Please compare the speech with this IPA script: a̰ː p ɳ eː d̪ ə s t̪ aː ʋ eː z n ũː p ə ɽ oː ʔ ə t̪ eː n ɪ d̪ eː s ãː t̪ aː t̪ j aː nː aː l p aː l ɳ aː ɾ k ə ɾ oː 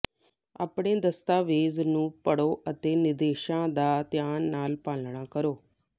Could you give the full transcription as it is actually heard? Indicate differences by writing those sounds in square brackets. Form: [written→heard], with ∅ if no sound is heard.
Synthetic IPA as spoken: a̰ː p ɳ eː d̪ ə s t̪ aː ʋ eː z n ũː p ə ɽ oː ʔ ə t̪ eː n ɪ d̪ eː [s→ʃ] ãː [t̪→d̪] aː t̪ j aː nː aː l p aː l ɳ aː [ɾ→∅] k ə ɾ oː